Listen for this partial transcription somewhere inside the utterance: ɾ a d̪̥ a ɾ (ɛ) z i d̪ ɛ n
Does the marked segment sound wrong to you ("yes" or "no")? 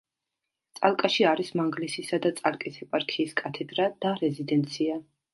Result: no